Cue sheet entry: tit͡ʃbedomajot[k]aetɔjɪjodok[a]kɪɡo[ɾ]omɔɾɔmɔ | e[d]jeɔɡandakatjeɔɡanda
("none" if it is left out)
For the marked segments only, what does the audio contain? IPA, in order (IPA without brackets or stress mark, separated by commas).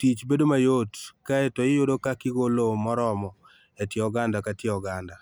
k, a, l, t